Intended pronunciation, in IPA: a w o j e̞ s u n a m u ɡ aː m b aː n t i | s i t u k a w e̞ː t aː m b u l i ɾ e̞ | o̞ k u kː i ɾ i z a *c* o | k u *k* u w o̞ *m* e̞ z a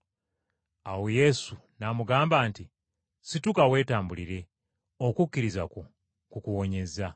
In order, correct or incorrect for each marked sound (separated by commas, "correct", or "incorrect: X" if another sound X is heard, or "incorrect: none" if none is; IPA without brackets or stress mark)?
incorrect: k, correct, incorrect: ɲ